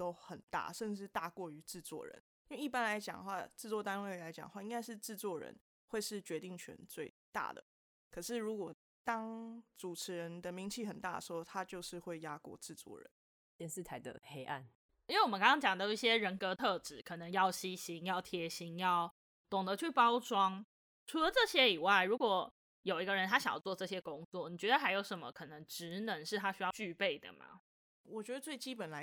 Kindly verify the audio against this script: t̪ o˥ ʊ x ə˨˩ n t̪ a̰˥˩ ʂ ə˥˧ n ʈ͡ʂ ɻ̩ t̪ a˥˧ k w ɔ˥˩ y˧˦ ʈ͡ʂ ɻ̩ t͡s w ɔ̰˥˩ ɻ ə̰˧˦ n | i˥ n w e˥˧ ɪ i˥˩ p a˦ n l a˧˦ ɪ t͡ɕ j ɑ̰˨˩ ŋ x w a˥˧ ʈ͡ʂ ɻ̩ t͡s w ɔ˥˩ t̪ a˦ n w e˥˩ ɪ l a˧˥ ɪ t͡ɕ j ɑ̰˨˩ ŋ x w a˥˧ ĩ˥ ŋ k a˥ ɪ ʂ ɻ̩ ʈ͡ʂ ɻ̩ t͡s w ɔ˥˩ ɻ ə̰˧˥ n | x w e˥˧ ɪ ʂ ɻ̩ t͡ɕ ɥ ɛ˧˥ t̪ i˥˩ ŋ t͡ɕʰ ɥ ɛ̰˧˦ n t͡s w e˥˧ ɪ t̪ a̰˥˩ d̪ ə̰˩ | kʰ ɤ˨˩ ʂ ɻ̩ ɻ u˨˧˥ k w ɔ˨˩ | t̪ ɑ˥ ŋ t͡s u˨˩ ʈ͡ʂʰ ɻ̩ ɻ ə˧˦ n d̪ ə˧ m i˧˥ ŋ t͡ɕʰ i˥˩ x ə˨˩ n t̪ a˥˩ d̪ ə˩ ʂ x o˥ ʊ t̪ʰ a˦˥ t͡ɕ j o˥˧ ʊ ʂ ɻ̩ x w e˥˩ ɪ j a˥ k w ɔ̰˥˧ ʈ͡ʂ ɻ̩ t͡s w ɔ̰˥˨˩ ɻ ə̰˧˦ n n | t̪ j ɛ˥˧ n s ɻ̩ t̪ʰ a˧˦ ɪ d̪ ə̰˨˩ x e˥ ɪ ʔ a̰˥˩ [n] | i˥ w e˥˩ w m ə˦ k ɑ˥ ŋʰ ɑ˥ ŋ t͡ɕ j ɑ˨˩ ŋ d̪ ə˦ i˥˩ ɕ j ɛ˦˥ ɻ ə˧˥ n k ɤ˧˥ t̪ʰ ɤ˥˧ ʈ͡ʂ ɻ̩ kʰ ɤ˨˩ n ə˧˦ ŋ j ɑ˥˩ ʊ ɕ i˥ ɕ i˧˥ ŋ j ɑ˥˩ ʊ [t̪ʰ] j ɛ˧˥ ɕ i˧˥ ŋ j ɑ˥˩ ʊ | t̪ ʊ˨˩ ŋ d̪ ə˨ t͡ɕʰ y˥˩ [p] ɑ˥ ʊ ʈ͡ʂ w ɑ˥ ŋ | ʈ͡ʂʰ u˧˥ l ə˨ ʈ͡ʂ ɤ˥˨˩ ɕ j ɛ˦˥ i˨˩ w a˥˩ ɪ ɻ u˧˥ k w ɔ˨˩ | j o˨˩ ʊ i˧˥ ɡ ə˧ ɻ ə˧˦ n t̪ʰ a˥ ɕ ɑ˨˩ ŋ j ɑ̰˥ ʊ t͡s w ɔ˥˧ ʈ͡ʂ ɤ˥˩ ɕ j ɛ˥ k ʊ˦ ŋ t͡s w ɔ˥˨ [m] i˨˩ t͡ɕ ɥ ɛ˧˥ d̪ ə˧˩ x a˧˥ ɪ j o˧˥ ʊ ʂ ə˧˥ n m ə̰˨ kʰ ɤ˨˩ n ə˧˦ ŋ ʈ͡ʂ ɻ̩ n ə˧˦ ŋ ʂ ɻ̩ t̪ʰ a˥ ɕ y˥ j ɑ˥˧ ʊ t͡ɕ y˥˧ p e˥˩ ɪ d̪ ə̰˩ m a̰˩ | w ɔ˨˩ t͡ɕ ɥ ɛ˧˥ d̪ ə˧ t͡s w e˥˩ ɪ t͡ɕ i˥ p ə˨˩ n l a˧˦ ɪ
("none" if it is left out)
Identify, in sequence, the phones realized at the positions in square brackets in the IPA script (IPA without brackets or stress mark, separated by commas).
n, t̪ʰ, p, n